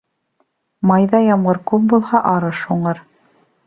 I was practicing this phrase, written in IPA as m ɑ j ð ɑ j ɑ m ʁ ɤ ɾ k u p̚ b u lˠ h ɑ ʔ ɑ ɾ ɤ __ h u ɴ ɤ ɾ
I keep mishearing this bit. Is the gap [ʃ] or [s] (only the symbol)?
ʃ